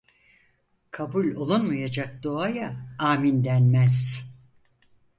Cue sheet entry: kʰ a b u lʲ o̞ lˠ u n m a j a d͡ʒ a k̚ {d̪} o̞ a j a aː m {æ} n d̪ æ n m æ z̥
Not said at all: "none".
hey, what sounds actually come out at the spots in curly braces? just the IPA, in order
d̪, i

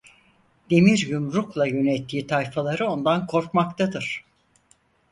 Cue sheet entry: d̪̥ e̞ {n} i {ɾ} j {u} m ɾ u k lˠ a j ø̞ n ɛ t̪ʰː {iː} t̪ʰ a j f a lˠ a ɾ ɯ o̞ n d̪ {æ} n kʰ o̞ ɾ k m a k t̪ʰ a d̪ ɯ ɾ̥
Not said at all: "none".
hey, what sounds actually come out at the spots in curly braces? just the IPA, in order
m, ɾ, u, iː, a

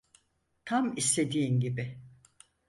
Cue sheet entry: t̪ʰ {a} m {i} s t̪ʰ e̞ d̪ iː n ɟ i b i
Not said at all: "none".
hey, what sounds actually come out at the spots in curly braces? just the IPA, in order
a, i

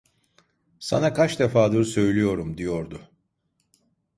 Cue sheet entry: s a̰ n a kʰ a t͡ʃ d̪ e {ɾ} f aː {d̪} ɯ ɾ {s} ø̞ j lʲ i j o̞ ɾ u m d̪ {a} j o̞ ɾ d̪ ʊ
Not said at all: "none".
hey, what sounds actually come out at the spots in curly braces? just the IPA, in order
none, d̪, s, i

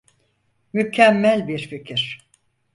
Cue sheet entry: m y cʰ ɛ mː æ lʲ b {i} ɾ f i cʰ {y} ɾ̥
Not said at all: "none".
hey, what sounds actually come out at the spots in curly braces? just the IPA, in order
i, i

